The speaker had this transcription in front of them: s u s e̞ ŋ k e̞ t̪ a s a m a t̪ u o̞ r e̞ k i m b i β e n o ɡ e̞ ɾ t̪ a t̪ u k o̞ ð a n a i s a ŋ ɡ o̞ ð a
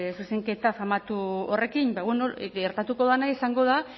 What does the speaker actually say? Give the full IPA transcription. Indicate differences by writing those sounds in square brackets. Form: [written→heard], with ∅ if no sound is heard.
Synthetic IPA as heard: s u s e̞ ŋ k e̞ t̪ a [s→f] a m a t̪ u o̞ r e̞ k i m b [i→a] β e n o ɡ e̞ ɾ t̪ a t̪ u k o̞ ð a n a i s a ŋ ɡ o̞ ð a